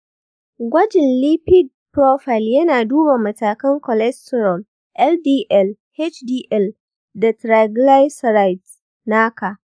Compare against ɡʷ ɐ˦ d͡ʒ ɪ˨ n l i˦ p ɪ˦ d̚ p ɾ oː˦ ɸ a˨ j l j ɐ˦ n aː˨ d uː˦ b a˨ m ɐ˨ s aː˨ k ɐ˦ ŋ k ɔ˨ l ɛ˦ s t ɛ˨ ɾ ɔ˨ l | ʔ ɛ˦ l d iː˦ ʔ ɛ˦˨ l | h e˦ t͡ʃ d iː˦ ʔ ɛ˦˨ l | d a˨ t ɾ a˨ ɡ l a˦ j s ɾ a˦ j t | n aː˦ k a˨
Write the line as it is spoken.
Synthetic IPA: ɡʷ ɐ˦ d͡ʒ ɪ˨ n l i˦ p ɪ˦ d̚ p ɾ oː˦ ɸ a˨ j l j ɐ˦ n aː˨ d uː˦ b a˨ m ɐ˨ t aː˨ k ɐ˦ ŋ k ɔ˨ l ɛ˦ s t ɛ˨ ɾ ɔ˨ l | ʔ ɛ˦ l d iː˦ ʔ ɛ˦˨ l | h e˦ t͡ʃ d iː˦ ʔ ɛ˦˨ l | d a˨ t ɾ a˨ ɡ l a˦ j s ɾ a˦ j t | n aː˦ k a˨

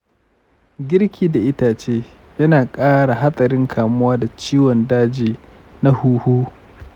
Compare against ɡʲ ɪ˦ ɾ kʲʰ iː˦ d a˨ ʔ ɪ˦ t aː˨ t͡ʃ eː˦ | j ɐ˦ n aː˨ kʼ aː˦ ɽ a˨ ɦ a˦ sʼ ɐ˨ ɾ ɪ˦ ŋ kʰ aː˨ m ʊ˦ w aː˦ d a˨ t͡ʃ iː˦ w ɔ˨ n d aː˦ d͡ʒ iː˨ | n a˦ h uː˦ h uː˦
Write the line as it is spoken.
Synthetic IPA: ɡʲ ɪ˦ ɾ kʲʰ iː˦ d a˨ ʔ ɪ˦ t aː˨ t͡ʃ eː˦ | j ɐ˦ n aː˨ kʼ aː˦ ɽ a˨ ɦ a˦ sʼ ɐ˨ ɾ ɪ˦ ŋ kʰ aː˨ m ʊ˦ w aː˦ d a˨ t͡ʃ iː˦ w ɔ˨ n d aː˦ d͡ʒ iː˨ | n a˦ h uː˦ h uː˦

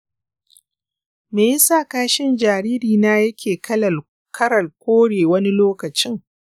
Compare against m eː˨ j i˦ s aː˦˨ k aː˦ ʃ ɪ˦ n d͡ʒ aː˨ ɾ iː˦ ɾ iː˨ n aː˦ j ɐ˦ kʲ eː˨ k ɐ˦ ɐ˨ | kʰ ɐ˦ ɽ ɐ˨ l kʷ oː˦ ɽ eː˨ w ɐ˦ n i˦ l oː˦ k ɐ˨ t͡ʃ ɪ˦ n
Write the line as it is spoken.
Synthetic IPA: m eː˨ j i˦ s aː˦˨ k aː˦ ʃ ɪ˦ n d͡ʒ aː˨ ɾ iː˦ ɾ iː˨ n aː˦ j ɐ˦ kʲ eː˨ k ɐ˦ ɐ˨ | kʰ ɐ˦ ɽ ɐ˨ l kʷ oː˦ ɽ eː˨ w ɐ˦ n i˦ l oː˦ k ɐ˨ t͡ʃ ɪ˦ ŋ

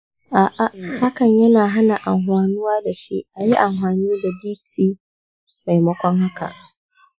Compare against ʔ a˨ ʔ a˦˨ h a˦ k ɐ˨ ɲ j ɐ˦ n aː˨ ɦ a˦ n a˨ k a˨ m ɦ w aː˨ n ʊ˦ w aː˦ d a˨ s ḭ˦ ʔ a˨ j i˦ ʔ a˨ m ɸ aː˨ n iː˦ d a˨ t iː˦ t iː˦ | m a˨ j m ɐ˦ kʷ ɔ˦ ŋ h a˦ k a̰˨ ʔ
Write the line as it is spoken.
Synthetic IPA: ʔ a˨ ʔ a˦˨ h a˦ k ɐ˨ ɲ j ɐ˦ n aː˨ ɦ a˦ n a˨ ʔ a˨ m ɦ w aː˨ n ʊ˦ w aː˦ d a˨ ʃ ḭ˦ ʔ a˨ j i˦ ʔ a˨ m ɸ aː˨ n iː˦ d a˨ d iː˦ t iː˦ | m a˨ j m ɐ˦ kʷ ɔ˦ ŋ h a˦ k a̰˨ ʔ

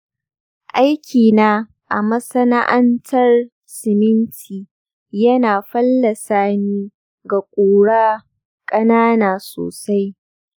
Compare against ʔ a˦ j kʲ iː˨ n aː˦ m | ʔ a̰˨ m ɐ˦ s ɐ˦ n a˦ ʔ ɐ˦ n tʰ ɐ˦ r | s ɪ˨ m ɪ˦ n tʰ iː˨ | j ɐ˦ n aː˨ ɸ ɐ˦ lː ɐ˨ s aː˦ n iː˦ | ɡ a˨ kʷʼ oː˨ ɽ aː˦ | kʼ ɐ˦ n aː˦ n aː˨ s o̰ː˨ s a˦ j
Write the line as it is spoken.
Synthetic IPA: ʔ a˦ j kʲ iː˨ n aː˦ | ʔ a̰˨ m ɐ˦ s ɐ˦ n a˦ ʔ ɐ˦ n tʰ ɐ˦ r | s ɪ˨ m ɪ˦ n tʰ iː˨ | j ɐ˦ n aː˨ ɸ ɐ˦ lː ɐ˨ s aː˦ n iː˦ | ɡ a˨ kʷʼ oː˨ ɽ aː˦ | kʼ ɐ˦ n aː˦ n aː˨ s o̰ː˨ s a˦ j

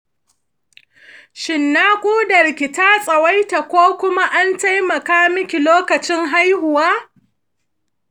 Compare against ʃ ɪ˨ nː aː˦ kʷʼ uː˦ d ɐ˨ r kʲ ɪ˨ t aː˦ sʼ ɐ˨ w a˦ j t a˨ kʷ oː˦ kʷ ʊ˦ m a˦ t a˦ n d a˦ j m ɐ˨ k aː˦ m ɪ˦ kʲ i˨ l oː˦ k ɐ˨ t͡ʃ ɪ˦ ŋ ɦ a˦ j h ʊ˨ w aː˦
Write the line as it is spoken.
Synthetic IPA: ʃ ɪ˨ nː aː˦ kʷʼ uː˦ d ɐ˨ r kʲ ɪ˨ t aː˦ sʼ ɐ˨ w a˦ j t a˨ kʷ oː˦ kʷ ʊ˦ m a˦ ʔ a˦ n t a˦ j m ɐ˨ k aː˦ m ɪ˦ kʲ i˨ l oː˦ k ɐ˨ t͡ʃ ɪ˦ ŋ ɦ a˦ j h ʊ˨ w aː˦

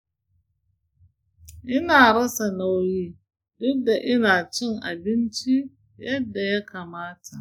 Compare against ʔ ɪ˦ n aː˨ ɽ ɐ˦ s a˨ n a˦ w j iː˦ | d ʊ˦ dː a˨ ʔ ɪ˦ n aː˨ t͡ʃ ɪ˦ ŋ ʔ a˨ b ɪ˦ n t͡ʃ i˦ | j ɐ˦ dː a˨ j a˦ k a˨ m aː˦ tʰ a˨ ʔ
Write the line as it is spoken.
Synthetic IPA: ʔ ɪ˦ n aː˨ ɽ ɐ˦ s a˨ n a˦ w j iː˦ | d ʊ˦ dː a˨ ʔ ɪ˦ n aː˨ t͡ʃ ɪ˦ ŋ ʔ a˨ b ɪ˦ n t͡ʃ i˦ | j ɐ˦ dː a˨ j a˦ k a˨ m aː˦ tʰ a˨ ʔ

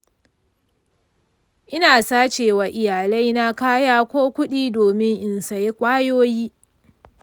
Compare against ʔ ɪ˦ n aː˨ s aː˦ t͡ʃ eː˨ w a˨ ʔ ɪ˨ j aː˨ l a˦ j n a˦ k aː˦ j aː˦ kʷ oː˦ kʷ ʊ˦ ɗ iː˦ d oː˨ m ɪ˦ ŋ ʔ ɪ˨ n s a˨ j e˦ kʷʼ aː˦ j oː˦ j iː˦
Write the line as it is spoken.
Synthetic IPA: ʔ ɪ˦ n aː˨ s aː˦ t͡ʃ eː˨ w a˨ ʔ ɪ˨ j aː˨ l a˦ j n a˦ k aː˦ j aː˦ kʷ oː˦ kʷ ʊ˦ ɗ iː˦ d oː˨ m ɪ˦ ŋ ʔ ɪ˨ n s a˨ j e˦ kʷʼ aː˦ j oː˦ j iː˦

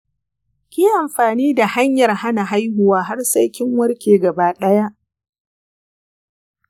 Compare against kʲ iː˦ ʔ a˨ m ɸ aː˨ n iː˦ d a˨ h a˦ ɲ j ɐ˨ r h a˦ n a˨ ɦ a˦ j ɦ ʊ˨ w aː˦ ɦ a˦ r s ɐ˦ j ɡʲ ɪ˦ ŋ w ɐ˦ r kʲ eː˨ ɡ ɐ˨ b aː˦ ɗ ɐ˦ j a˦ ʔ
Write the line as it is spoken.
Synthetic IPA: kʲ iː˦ ʔ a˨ m ɸ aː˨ n iː˦ d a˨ h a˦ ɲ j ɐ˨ r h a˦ n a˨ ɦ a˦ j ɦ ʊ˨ w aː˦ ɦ a˦ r s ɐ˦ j kʲ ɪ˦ ŋ w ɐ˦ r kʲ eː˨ ɡ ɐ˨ b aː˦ ɗ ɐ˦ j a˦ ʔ

